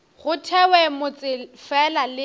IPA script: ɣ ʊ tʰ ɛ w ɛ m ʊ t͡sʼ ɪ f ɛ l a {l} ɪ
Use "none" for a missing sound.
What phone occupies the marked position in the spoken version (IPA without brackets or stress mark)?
l